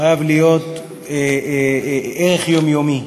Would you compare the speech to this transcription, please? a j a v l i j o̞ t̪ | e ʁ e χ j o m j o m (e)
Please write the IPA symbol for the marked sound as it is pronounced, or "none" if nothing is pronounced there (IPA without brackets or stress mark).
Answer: i